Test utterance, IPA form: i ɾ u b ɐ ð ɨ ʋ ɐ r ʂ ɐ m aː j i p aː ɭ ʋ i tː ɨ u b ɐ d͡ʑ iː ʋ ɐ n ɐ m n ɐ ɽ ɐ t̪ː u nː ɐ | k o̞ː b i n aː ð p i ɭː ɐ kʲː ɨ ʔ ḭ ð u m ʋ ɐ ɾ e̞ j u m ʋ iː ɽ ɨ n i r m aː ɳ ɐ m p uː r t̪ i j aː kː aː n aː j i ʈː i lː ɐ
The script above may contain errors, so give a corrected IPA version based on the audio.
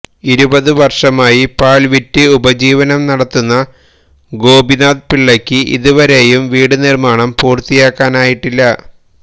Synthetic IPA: i ɾ u b ɐ ð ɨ ʋ ɐ r ʂ ɐ m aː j i p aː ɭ ʋ i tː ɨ u b ɐ d͡ʑ iː ʋ ɐ n ɐ m n ɐ ɽ ɐ t̪ː u nː ɐ | ɡ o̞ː b i n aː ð p i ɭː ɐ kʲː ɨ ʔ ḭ ð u ʋ ɐ ɾ e̞ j u m ʋ iː ɽ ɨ n i r m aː ɳ ɐ m p uː r t̪ i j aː kː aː n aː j i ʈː i lː ɐ